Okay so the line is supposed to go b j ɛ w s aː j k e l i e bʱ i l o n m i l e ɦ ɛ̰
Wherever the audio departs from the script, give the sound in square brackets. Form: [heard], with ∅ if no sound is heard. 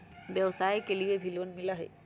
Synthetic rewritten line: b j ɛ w s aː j k e l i e bʱ i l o n m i l [a] ɦ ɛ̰